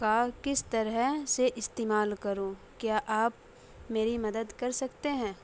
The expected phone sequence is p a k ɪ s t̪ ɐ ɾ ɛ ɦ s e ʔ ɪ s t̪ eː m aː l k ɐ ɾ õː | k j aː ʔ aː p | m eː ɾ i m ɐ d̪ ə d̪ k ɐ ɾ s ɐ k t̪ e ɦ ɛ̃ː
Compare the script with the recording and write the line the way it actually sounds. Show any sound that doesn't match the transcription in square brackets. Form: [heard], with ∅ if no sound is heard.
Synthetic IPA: [k] a k ɪ s t̪ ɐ ɾ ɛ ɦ s e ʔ ɪ s t̪ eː m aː l k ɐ ɾ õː | k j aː ʔ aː p | m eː ɾ i m ɐ d̪ ə d̪ k ɐ ɾ s ɐ k t̪ e ɦ ɛ̃ː